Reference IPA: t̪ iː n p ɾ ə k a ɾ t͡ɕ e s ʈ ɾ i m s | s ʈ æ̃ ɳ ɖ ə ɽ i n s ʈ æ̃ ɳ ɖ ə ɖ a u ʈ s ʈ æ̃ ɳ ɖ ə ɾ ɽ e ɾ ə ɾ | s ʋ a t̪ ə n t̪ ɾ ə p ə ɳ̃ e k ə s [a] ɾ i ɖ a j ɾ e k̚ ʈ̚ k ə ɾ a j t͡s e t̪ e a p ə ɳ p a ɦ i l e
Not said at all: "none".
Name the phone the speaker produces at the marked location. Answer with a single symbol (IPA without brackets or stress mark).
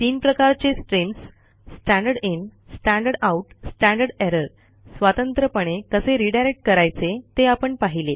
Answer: e